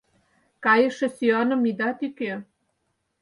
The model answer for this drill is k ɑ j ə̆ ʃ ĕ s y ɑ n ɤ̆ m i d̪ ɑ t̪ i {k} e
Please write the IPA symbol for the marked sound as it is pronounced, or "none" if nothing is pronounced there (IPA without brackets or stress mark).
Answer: k